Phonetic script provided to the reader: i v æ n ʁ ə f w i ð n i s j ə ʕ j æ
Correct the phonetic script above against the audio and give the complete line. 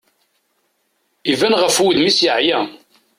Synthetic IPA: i v æ n ʁ ə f w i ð m i s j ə ʕ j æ